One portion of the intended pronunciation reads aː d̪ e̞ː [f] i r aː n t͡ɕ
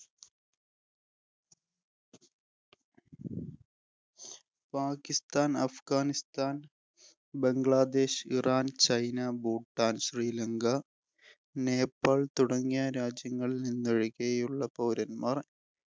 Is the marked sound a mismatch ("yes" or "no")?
yes